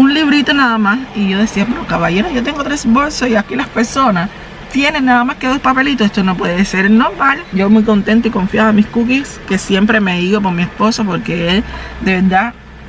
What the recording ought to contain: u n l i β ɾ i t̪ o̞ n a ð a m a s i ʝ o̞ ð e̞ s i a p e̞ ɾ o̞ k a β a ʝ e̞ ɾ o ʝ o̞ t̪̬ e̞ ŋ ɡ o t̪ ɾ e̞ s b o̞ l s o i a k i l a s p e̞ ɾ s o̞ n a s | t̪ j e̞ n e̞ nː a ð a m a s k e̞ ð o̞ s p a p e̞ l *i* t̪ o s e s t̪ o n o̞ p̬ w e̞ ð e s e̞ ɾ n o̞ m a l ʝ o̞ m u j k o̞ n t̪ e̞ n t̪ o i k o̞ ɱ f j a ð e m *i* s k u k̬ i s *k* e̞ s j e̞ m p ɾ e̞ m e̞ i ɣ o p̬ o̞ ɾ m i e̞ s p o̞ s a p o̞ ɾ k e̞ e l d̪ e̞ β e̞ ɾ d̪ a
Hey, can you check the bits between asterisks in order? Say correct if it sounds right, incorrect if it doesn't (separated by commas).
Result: correct, correct, correct